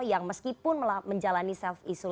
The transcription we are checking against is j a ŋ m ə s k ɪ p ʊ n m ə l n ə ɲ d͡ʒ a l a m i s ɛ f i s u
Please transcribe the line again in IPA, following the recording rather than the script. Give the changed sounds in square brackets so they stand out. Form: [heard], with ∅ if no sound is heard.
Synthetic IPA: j a ŋ m ə s k [i] p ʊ n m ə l [m] ə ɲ d͡ʒ a l a [n] i s ɛ f i s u

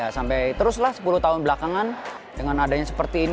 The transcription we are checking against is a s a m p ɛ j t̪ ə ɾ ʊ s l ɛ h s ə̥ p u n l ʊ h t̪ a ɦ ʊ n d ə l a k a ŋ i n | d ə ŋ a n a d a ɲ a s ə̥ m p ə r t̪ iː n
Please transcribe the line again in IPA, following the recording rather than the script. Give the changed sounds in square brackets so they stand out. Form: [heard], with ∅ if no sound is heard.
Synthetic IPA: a s a m p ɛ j t̪ ə ɾ ʊ s l [a] h s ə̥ p u [∅] l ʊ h t̪ a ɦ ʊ n [b] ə l a k a ŋ [a] n | d ə ŋ a n a d a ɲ a s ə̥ [∅] p ə r t̪ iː n

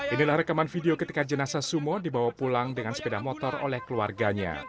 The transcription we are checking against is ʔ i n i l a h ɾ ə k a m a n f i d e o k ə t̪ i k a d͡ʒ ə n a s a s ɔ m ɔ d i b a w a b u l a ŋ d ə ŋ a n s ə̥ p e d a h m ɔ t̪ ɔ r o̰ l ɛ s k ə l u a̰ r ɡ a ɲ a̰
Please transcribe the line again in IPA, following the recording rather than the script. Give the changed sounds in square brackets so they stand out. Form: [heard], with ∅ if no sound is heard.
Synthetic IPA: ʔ i n i l a h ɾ ə k a m a n f i d e o k ə t̪ i k a d͡ʒ ə n a s a s [u] m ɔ d i b a w a [p] u l a ŋ d ə ŋ a n s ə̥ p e d a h m ɔ t̪ ɔ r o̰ l ɛ [h] k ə l u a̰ r ɡ a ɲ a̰

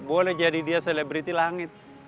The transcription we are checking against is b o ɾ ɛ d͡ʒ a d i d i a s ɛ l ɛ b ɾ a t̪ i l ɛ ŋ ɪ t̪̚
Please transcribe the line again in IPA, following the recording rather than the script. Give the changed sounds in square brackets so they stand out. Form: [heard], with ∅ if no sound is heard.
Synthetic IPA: b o [l] ɛ d͡ʒ a d i d i a s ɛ l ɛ b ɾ [i] t̪ i l [a] ŋ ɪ t̪̚

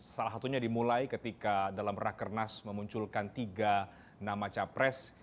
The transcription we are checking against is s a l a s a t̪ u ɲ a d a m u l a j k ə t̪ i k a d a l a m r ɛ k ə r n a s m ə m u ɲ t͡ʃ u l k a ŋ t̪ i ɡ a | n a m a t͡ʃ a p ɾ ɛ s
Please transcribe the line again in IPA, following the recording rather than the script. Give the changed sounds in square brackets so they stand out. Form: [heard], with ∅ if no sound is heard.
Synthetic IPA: s a l a s a t̪ u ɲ a d [i] m u l a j k ə t̪ i k a d a l a m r [a] k ə r n a s m ə m u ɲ t͡ʃ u l k a [n] t̪ i ɡ a | n a m a t͡ʃ a p ɾ ɛ s

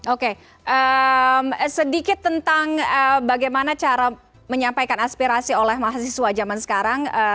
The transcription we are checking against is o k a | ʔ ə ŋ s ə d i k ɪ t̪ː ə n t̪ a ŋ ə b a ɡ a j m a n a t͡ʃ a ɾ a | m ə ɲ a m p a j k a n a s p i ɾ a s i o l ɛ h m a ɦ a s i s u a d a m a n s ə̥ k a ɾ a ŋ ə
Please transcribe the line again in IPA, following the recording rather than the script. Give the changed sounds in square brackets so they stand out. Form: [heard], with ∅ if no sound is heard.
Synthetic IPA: o k [e] | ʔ ə [m] s ə d i k ɪ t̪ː ə n t̪ a ŋ ə b a ɡ a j m a n a t͡ʃ a ɾ a | m ə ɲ a m p a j k a n a s p i ɾ a s i o l ɛ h m a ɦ a s i s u a [d͡ʒ] a m a n s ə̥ k a ɾ a ŋ ə

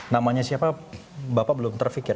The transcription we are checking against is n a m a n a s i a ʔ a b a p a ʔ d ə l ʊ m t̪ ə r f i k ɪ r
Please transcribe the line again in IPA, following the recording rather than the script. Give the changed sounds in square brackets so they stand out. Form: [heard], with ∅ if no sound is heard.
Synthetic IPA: n a m a [ɲ] a s i a [p] a b a p a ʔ [b] ə l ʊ m t̪ ə r f i k ɪ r

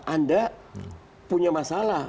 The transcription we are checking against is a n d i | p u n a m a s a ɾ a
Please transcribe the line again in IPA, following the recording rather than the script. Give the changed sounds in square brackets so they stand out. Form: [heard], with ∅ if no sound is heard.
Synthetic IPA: a n d [a] | p u [ɲ] a m a s a [l] a

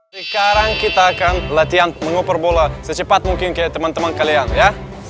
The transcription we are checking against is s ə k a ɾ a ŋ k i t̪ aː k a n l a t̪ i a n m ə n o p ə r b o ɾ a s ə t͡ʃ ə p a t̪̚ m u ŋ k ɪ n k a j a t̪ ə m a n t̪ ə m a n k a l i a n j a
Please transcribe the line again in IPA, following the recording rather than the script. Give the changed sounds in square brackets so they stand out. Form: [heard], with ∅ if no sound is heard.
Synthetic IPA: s ə k a ɾ a ŋ k i t̪ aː k a n l a t̪ i a n m ə [ŋ] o p ə r b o [l] a s ə t͡ʃ ə p a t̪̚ m u ŋ k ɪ n k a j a t̪ ə m a n t̪ ə m a n k a l i a n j a

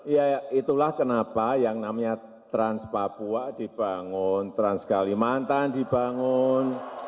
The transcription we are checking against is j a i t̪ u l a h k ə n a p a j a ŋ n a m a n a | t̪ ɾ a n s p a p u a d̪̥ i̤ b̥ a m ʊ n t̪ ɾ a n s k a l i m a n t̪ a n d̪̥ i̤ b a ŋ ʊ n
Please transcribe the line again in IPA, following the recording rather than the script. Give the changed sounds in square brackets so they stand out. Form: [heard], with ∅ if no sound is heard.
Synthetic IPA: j a i t̪ u l a h k ə n a p a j a ŋ n a m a [ɲ] a | t̪ ɾ a n s p a p u a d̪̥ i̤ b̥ a [ŋ] ʊ n t̪ ɾ a n s k a l i m a n t̪ a n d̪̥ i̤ b a ŋ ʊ n

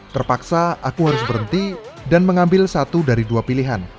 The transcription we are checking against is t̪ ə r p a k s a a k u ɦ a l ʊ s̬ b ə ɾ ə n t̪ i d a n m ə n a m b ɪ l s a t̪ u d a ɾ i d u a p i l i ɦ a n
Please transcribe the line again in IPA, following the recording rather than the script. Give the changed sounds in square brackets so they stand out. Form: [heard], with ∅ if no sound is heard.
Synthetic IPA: t̪ ə r p a k s a a k u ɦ a [ɾ] ʊ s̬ b ə ɾ ə n t̪ i d a n m ə [ŋ] a m b ɪ l s a t̪ u d a ɾ i d u a p i l i ɦ a n

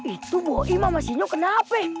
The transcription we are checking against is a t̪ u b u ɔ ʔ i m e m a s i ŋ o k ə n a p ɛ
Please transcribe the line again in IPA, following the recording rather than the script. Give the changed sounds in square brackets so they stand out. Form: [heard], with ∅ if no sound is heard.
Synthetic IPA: [i] t̪ u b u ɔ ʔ i m [a] m a s i [ɲ] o k ə n a p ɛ

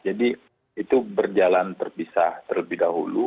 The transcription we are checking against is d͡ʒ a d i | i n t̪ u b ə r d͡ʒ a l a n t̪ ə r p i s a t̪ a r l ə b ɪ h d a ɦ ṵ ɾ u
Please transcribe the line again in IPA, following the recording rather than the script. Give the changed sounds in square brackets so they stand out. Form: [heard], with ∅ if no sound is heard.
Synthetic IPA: d͡ʒ a d i | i [∅] t̪ u b ə r d͡ʒ a l a n t̪ ə r p i s a t̪ [ə] r l ə b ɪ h d a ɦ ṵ [l] u

